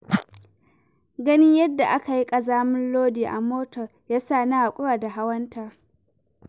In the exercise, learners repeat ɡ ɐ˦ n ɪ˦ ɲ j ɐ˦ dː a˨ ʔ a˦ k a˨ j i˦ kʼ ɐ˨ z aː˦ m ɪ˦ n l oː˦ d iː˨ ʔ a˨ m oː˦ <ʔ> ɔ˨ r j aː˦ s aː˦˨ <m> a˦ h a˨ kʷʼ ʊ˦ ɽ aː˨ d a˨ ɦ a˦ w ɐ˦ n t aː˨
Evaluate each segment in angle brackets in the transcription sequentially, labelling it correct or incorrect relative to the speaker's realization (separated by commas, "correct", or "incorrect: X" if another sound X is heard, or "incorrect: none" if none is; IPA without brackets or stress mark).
incorrect: t, incorrect: n